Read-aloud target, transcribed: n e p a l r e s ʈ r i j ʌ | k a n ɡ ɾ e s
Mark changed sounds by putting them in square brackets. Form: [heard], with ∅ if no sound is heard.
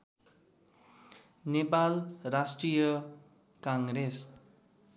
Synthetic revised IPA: n e p a l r [a] s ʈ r i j ʌ | k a [ŋ] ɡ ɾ e s

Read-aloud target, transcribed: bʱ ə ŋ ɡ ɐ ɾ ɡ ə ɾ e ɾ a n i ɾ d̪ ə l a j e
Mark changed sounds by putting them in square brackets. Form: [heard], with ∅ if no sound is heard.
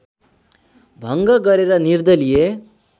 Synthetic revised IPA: bʱ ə ŋ ɡ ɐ [∅] ɡ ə ɾ e ɾ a n i ɾ d̪ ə l [i] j e

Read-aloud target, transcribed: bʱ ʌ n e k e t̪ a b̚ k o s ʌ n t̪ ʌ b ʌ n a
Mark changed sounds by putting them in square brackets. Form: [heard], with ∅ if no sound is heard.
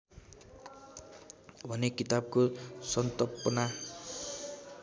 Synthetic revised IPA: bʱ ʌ n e k [i] t̪ a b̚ k o s ʌ n t̪ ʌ [p] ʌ n a

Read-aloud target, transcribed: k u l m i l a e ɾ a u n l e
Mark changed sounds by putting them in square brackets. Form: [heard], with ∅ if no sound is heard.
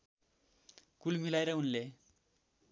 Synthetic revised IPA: k u l m i l a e ɾ [ʌ] u n l e

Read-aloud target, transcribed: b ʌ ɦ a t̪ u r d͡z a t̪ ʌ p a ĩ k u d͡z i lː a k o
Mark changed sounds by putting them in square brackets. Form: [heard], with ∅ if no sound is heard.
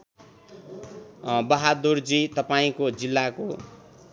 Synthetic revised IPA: b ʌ ɦ a [d̪] u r d͡z [i] t̪ ʌ p a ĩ k [o] d͡z i lː a k o

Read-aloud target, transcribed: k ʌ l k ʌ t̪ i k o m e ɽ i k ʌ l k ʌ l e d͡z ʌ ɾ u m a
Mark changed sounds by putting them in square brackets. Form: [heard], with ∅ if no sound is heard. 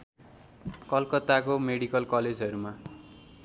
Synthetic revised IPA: k ʌ l k ʌ t̪ [a] k o m e ɽ i k ʌ l k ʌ l e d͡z ʌ ɾ u m a

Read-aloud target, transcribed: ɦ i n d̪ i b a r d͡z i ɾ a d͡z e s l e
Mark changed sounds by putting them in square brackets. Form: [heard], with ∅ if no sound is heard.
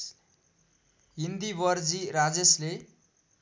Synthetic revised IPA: ɦ i n d̪ i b [ʌ] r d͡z i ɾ a d͡z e s l e

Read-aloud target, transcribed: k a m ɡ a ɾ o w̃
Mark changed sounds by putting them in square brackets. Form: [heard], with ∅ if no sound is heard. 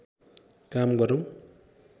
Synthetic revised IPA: k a m ɡ [ʌ] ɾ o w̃

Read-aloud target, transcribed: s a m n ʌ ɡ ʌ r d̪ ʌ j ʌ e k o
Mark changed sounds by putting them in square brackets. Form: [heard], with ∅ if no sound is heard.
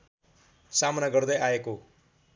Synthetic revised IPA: s a m n [a] ɡ ʌ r d̪ ʌ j [a] e k o

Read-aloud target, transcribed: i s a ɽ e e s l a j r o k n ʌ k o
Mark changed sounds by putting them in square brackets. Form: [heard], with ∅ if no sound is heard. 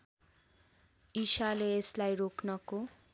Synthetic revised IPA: i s a [l] e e s l a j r o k n ʌ k o

